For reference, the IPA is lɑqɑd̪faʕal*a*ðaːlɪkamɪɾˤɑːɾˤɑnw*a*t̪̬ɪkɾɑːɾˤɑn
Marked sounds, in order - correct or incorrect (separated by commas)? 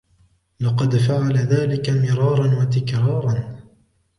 correct, correct